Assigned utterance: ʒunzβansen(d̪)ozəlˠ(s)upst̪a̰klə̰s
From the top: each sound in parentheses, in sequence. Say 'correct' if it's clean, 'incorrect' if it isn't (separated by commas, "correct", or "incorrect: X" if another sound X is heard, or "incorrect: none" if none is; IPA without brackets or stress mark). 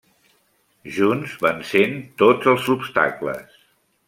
incorrect: t̪, incorrect: z